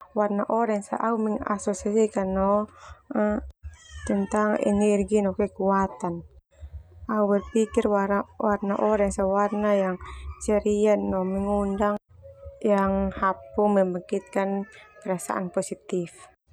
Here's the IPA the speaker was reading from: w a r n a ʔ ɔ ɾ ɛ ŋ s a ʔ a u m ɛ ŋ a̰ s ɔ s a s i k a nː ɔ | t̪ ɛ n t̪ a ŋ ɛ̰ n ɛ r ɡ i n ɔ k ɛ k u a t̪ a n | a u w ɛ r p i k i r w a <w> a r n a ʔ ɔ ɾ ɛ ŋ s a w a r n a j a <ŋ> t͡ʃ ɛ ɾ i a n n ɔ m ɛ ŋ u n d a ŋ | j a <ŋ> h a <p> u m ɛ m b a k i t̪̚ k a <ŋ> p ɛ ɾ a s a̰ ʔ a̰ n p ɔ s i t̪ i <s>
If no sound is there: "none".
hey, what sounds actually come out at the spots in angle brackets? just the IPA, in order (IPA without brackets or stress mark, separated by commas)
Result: w, ŋ, ŋ, p, n, f